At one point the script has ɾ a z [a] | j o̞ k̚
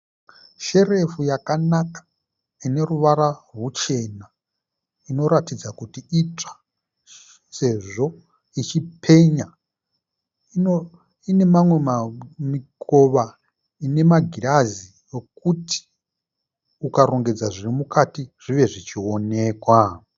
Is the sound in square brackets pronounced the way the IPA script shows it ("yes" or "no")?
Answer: no